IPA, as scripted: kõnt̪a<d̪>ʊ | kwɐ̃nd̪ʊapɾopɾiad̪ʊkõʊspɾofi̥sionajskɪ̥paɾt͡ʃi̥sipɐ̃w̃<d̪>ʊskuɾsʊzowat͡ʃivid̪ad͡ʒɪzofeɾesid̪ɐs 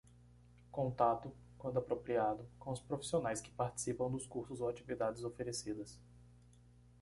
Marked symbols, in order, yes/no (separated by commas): no, yes